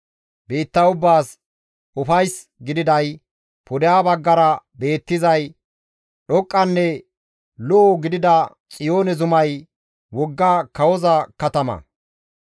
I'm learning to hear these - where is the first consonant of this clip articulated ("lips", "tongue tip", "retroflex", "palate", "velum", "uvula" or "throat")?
lips